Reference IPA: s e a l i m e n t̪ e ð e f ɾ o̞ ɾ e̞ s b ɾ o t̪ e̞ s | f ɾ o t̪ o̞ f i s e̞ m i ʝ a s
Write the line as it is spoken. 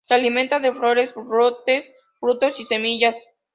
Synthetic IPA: s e a l i m e n t̪ a ð e f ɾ o̞ ɾ e̞ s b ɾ o t̪ e̞ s | f ɾ u t̪ o̞ s i s e̞ m i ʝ a s